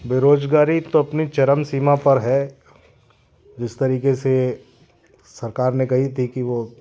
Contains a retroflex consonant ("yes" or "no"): no